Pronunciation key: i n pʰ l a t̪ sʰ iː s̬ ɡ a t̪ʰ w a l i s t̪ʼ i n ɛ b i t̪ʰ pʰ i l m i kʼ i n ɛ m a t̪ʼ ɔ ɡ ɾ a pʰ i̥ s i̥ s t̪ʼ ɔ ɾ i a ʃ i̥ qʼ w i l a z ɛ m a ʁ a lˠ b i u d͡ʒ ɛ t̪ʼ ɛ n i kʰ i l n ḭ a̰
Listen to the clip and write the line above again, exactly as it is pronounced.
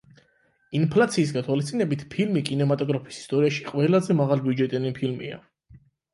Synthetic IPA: i n pʰ l a t̪ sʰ iː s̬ ɡ a t̪ʰ w a l i s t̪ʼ i n ɛ b i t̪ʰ pʰ i l m i kʼ i n ɛ m a t̪ʼ ɔ ɡ ɾ a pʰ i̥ s i̥ s t̪ʼ ɔ ɾ i a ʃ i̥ qʼ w ɛ l a z ɛ m a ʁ a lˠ b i u d͡ʒ ɛ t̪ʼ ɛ n i pʰ i l m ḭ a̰